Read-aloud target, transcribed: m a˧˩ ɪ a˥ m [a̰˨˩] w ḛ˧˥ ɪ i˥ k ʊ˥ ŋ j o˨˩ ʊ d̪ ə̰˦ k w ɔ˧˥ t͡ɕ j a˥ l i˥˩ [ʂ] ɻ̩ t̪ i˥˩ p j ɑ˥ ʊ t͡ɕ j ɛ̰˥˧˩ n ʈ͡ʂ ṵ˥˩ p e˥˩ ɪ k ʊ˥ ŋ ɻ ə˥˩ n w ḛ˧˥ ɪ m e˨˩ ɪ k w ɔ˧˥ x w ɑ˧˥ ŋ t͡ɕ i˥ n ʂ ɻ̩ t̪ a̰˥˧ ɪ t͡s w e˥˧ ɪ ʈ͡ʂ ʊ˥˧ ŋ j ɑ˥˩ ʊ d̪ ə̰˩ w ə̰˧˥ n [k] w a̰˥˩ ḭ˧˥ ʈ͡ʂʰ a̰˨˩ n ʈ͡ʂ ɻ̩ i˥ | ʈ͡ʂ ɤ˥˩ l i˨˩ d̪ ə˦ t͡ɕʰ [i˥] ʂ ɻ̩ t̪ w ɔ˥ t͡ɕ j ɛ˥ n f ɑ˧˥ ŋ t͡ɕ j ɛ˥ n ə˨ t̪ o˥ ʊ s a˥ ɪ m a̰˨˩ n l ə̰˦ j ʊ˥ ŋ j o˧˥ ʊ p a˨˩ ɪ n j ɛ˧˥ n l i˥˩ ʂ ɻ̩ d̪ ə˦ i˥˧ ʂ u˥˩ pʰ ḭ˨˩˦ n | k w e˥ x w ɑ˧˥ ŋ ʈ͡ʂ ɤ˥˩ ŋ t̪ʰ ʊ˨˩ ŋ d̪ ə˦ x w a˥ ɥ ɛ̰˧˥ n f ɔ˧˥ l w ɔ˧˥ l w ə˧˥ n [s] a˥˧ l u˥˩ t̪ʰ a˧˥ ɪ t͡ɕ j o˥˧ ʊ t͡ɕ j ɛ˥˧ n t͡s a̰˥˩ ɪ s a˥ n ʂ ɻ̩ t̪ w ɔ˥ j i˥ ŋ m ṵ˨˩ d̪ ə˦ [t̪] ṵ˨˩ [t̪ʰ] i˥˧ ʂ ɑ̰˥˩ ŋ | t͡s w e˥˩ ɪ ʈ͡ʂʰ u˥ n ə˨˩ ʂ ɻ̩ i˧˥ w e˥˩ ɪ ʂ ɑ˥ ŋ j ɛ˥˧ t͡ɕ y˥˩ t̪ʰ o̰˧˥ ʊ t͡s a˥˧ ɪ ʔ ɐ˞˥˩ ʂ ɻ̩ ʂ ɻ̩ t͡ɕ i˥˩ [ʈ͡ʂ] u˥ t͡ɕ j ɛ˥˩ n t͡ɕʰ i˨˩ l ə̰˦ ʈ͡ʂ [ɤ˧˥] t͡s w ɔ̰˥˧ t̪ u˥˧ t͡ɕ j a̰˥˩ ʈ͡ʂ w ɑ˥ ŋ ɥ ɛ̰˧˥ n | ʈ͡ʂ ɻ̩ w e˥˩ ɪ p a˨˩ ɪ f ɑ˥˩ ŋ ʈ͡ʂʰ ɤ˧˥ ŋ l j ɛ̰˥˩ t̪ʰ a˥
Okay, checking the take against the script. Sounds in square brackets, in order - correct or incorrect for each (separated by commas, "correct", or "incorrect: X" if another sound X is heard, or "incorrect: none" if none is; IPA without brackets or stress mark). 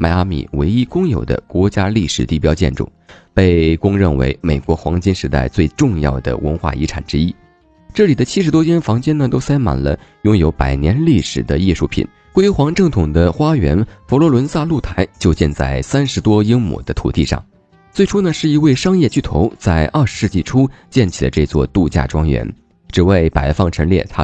incorrect: ḭ˨˩, correct, incorrect: x, correct, correct, incorrect: t̪ʰ, incorrect: t̪, incorrect: ʈ͡ʂʰ, incorrect: ɤ˥˧